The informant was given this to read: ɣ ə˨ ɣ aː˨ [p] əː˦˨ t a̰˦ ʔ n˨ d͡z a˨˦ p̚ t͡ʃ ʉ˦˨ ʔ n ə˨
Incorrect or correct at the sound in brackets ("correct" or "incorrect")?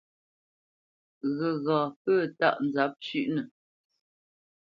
correct